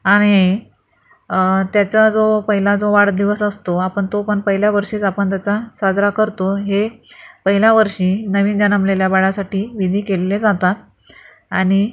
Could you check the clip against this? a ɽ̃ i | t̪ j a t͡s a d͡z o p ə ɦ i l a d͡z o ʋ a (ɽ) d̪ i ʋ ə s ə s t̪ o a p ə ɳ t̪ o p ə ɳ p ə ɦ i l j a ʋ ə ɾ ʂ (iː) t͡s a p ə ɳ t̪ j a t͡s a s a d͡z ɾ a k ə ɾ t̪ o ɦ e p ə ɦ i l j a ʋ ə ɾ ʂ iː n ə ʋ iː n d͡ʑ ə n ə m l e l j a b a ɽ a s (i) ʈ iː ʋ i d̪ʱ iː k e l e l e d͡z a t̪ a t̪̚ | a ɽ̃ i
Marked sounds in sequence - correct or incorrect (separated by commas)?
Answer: correct, correct, incorrect